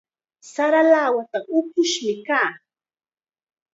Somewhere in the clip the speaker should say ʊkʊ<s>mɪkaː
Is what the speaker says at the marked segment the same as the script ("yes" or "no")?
no